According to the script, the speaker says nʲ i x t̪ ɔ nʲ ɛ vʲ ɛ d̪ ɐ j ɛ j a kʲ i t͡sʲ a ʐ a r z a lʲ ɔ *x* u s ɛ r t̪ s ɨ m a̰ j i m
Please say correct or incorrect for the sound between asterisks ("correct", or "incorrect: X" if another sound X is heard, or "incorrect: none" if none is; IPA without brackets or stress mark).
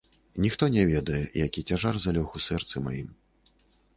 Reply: correct